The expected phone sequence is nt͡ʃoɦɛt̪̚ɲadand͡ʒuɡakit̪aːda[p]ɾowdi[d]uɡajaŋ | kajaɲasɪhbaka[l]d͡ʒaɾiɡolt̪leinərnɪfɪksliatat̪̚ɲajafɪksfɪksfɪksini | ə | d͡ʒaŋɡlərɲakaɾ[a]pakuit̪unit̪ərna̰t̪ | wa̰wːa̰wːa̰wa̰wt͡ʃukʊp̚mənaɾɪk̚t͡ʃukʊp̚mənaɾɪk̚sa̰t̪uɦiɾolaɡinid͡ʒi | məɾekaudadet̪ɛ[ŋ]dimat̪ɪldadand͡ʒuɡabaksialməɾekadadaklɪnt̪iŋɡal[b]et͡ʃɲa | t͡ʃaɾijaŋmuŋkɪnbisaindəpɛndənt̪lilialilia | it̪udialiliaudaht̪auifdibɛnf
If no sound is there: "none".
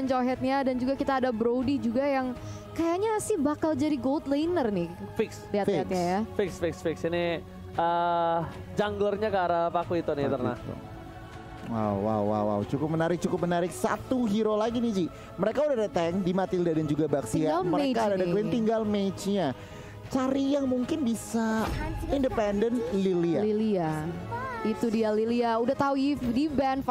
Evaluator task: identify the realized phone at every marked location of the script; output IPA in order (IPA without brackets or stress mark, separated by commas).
b, d͡ʒ, l, a, ŋ, m